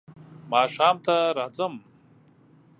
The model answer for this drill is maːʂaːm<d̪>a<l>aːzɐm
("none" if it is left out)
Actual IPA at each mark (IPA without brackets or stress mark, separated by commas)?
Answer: t̪, ɾ